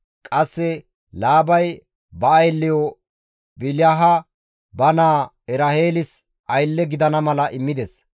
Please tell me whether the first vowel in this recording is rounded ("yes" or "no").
no